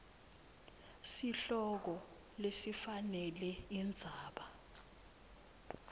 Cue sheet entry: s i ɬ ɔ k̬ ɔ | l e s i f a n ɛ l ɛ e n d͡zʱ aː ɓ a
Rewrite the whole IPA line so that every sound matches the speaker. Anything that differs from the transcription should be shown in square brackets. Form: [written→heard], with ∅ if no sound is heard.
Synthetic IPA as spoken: s i ɬ ɔ k̬ ɔ | l e s i f a n ɛ l ɛ [e→i] n d͡zʱ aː ɓ a